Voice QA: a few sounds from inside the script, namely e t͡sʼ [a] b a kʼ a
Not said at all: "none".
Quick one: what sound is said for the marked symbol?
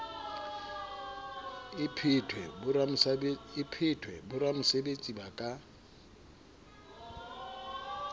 i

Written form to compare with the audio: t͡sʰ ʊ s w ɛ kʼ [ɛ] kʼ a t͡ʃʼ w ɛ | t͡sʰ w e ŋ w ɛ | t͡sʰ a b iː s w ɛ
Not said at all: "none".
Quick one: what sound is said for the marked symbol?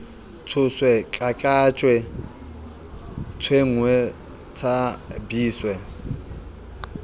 a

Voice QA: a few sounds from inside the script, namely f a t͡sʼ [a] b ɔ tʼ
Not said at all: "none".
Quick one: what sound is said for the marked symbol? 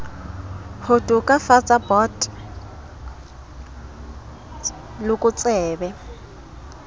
a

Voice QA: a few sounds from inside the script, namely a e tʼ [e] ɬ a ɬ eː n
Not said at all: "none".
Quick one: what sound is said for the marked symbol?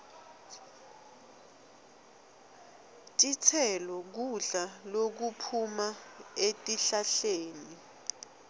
i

